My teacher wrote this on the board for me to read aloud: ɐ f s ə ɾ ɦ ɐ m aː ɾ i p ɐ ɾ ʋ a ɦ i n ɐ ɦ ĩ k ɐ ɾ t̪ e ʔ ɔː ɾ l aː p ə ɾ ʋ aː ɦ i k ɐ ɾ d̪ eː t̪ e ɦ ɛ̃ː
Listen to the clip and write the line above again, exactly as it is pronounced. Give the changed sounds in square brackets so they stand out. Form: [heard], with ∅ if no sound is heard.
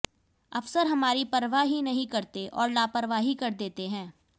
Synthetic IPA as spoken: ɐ f s ə ɾ ɦ ɐ m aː ɾ i p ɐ ɾ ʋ a ɦ i n ɐ ɦ ĩ k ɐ ɾ t̪ e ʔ ɔː ɾ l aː p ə ɾ ʋ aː ɦ i k ɐ ɾ d̪ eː t̪ e ɦ ɛ̃ː